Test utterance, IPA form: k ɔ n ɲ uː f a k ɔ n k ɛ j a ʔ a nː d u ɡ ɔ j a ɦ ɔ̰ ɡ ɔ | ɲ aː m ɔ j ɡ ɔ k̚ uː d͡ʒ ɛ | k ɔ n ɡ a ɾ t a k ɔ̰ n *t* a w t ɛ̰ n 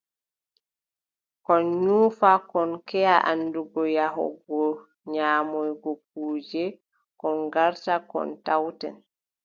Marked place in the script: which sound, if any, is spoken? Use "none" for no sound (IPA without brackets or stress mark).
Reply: t